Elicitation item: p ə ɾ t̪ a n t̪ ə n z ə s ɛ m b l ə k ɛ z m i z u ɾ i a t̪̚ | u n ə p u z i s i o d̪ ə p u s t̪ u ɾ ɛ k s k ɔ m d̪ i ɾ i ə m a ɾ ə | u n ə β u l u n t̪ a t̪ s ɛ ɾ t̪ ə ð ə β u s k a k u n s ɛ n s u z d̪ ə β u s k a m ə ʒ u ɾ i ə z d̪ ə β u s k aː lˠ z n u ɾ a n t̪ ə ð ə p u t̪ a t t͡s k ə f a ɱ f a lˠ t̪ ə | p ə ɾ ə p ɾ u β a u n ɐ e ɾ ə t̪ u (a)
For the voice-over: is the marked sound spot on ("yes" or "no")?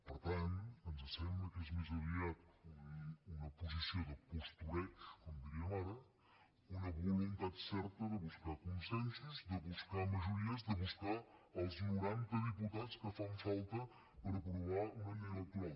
yes